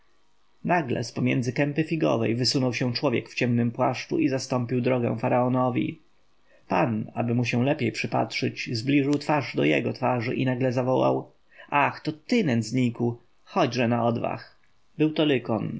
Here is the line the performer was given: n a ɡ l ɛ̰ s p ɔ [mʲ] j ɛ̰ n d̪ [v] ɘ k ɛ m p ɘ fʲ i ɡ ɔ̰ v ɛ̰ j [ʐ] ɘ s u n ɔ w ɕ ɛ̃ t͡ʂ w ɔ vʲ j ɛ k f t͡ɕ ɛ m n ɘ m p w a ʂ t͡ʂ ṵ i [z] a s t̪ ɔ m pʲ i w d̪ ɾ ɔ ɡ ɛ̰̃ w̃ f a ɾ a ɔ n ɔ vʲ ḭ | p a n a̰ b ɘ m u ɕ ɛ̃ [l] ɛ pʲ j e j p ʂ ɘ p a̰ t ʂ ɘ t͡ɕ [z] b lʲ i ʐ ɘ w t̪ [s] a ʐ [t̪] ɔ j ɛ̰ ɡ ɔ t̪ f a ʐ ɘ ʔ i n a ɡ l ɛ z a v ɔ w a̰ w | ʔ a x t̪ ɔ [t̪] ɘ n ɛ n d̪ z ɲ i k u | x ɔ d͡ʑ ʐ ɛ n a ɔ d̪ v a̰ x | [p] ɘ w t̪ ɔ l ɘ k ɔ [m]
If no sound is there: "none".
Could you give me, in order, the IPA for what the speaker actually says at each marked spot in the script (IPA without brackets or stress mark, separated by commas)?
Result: mʲ, z, v, z, l, z, f, d̪, t̪, b, n